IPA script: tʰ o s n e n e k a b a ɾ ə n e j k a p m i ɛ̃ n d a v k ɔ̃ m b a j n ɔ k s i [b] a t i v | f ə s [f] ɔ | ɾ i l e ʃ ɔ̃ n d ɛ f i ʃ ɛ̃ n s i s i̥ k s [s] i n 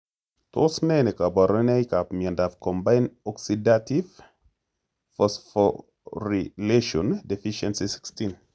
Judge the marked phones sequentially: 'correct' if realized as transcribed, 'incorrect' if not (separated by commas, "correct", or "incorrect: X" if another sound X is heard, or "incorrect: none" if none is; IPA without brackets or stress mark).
incorrect: d, correct, incorrect: t